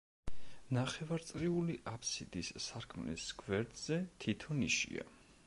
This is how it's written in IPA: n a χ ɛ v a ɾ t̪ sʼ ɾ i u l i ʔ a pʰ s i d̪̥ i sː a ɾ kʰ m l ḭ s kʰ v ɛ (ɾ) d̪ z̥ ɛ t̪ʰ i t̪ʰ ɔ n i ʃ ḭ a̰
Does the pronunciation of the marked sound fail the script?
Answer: no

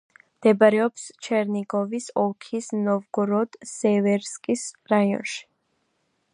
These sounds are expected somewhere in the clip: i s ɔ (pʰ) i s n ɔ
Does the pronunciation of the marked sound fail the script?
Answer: yes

